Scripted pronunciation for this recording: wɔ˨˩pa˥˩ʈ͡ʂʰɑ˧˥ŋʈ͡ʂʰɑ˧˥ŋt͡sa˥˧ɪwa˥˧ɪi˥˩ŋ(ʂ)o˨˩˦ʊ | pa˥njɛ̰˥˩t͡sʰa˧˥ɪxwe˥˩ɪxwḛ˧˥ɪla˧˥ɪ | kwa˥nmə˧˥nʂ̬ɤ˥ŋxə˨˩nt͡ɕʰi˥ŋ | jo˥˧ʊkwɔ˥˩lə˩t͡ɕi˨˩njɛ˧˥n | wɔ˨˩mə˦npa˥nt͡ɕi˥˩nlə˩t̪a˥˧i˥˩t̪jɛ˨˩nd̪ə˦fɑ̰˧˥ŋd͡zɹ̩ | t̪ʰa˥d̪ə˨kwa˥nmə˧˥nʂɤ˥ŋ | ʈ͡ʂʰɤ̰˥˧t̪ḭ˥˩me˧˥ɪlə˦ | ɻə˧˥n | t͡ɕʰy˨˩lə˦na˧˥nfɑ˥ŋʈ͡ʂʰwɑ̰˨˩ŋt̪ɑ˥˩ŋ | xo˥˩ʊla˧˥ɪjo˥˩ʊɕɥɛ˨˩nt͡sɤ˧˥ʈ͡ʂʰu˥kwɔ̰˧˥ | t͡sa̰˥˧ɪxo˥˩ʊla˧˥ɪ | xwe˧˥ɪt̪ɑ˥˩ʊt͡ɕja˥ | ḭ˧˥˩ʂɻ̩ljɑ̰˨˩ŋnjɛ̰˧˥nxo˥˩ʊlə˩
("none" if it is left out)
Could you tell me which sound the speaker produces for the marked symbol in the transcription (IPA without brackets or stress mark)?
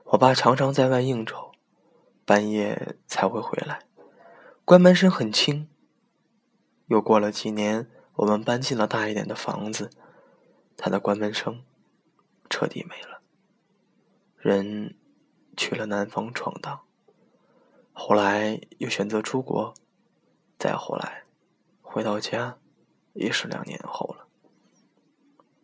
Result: ʈ͡ʂ